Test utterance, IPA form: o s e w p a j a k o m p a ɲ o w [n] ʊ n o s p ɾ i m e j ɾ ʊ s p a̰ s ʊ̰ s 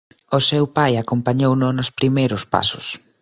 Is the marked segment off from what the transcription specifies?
no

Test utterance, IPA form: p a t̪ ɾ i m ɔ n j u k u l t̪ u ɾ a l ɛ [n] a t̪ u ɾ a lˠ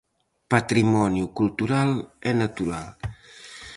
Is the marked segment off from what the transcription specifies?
no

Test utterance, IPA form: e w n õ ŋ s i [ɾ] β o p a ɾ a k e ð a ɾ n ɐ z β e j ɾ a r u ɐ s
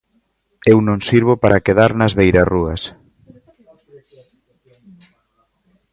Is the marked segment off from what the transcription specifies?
no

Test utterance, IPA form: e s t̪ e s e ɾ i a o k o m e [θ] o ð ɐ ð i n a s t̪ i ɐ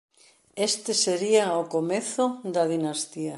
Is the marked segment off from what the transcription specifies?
no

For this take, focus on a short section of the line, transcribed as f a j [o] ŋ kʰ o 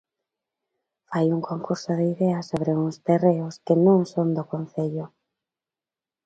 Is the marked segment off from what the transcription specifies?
yes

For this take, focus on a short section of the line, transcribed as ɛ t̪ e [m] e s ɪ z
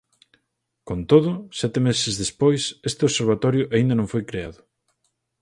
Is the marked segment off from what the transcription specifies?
no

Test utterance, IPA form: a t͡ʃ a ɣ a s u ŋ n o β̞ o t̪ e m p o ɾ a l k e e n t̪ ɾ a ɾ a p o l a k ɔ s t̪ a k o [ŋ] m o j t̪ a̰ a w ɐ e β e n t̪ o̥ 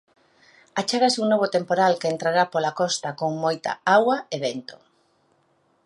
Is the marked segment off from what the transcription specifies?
no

